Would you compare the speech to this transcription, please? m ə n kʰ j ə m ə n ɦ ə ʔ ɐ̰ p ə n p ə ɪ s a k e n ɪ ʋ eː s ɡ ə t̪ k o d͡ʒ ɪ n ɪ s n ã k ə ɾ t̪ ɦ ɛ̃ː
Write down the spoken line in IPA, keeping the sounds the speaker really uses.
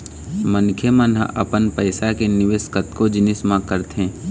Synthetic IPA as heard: m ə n kʰ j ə m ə n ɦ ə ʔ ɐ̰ p ə n p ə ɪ s a k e n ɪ ʋ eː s k ə t̪ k o d͡ʒ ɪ n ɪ s m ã k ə ɾ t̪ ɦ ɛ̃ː